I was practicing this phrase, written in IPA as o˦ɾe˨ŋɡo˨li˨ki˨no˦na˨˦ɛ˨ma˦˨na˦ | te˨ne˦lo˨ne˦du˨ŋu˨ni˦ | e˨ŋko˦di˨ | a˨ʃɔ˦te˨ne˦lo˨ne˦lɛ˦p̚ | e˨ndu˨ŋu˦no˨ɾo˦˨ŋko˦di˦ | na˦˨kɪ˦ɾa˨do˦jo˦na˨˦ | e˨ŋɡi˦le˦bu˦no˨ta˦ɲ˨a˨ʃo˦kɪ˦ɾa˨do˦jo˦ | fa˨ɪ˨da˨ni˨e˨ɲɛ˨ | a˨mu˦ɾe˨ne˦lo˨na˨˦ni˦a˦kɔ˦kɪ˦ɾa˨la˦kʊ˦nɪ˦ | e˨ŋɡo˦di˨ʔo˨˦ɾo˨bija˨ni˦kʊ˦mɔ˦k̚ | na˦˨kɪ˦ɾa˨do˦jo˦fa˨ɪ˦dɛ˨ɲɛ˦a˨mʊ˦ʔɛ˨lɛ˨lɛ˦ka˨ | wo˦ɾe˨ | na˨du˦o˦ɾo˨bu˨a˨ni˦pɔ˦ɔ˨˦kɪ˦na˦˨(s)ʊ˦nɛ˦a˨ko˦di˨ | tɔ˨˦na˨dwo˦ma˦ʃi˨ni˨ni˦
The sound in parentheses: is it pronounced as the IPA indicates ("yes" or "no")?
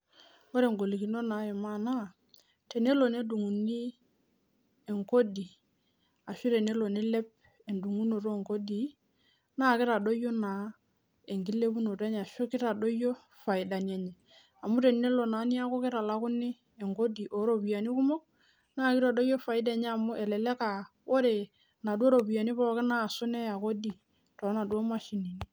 yes